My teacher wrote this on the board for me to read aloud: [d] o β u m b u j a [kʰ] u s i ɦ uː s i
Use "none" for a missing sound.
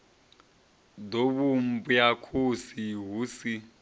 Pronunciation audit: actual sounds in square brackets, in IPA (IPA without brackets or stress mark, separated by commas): d, kʰ